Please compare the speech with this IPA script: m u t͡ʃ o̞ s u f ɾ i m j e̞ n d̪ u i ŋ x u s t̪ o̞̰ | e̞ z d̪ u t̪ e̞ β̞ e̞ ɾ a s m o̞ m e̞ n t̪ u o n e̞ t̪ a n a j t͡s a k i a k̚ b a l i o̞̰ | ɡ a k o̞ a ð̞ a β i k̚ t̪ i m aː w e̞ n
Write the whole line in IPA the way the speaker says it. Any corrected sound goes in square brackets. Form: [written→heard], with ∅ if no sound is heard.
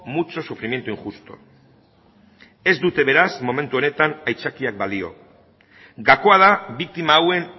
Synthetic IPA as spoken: m u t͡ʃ o̞ s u f ɾ i m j e̞ n [d̪→t̪] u i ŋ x u s t̪ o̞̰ | e̞ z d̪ u t̪ e̞ β̞ e̞ ɾ a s m o̞ m e̞ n t̪ u o n e̞ t̪ a n a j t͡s a k i a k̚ b a l i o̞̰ | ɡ a k o̞ a ð̞ a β i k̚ t̪ i m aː w e̞ n